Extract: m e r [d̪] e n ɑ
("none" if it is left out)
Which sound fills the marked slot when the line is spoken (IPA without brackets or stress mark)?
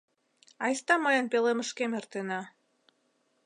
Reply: t̪